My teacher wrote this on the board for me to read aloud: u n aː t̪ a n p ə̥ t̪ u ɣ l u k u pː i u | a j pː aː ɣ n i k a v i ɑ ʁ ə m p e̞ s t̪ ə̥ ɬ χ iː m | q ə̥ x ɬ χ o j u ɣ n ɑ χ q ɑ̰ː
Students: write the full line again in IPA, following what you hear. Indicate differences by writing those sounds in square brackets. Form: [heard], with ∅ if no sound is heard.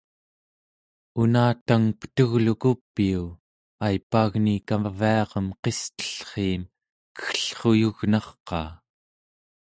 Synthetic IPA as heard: u n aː t̪ a [ŋ] p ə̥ t̪ u ɣ l u k u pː i u | a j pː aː ɣ n i k a v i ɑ ʁ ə m [q] e̞ s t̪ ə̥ ɬ χ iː m | [k] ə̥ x ɬ χ o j u ɣ n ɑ χ q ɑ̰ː